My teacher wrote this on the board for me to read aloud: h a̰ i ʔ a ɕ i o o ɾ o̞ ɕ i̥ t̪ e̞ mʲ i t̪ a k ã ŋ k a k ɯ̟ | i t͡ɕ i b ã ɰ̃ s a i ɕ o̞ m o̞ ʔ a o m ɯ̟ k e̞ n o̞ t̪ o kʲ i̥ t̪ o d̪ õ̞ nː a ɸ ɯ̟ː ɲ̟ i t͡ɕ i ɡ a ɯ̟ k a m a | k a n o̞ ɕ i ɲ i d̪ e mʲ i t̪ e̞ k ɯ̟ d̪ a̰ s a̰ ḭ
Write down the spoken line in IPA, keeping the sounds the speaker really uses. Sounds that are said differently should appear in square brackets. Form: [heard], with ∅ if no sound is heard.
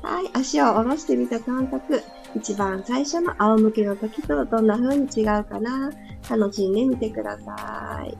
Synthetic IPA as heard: h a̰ i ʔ a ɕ i o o ɾ o̞ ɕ i̥ t̪ e̞ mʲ i t̪ a k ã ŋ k a k ɯ̟ | i t͡ɕ i b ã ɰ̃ s a i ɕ o̞ [n] o̞ ʔ a o m ɯ̟ k e̞ n o̞ t̪ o kʲ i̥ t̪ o d̪ õ̞ nː a ɸ ɯ̟ː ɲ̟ i t͡ɕ i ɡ a ɯ̟ k a [n] a | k a n o̞ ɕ i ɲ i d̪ e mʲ i t̪ e̞ k ɯ̟ d̪ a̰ s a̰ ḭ